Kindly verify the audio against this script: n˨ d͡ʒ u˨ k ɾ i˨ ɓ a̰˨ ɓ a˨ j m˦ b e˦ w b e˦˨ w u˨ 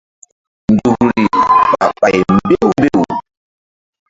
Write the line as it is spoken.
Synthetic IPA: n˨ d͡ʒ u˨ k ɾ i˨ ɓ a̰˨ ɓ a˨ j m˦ b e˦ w b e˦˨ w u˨